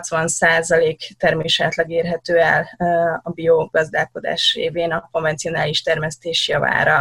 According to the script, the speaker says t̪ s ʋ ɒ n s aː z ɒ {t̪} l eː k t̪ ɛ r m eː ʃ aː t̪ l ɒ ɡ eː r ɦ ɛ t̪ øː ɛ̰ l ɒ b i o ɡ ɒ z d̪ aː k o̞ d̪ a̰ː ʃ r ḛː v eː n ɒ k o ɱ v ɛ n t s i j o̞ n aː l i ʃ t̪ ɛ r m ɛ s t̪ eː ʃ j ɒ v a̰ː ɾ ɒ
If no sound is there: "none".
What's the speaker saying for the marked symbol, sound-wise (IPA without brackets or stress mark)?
none